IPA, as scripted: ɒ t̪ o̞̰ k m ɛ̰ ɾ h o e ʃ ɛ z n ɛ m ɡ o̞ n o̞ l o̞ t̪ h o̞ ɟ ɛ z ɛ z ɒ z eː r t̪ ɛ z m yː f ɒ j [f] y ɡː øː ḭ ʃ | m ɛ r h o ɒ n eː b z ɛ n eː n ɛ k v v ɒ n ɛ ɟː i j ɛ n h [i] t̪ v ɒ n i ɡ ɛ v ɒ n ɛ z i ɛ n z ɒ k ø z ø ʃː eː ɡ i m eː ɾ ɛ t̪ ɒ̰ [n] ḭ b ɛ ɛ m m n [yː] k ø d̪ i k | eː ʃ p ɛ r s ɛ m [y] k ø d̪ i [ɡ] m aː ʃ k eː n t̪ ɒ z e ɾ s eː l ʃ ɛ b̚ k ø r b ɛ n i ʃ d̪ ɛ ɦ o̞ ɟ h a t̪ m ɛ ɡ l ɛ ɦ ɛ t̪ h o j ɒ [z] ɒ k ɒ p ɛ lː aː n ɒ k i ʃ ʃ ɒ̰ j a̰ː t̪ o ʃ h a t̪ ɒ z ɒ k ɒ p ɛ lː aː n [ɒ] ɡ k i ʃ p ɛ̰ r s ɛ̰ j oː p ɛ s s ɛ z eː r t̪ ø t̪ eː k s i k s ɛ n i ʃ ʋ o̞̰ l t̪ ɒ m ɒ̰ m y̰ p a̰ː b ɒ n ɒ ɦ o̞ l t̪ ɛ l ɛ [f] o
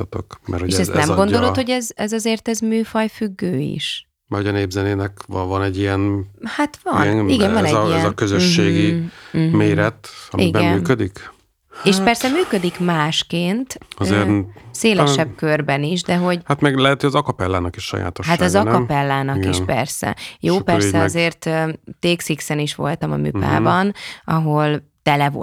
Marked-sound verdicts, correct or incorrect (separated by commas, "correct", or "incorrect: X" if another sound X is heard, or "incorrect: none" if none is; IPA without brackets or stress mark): correct, incorrect: a, incorrect: m, correct, incorrect: yː, incorrect: k, correct, correct, incorrect: v